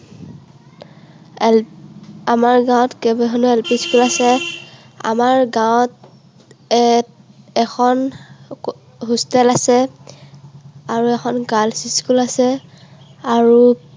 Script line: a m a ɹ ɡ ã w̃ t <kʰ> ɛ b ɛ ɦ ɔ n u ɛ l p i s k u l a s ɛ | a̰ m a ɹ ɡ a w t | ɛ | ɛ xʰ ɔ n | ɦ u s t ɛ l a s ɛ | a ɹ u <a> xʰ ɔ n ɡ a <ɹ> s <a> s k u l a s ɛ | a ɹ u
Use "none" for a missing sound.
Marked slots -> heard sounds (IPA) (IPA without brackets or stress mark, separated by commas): k, ɛ, l, i